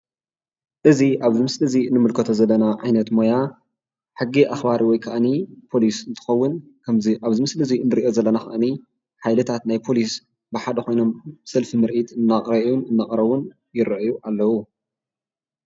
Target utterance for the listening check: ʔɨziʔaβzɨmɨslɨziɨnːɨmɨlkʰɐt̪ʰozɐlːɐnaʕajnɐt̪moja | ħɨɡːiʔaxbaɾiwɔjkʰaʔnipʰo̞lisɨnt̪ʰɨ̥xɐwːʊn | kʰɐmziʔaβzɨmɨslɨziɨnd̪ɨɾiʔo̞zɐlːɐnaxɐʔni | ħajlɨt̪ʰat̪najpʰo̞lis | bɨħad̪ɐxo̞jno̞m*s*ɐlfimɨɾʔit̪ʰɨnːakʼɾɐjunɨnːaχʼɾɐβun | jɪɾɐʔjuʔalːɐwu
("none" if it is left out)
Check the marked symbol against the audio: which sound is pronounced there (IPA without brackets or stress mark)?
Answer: s